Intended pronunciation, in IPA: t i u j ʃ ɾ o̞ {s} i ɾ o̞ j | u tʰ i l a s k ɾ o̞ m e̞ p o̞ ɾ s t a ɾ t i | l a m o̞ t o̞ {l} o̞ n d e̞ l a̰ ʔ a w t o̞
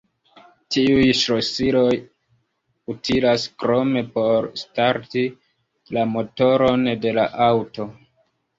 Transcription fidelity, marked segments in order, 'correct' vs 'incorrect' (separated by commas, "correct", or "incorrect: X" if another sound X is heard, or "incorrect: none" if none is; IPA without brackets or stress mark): correct, incorrect: ɾ